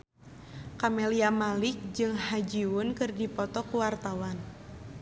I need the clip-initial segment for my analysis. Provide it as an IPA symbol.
k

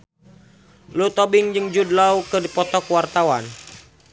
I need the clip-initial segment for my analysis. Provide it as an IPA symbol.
l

